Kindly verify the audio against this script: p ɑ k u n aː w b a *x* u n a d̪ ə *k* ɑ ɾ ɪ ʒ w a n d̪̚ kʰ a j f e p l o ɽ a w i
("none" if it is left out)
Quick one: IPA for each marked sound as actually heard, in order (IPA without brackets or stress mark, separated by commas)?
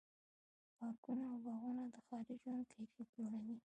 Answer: ɣ, x